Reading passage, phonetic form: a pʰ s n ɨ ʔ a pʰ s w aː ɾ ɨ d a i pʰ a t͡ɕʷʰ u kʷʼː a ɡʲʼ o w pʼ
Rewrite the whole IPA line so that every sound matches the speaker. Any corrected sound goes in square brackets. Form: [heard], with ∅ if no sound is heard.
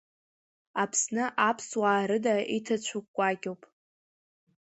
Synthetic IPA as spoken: a pʰ s n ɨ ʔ a pʰ s w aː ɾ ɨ d a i [tʰ] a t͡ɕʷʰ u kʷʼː a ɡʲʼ o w pʼ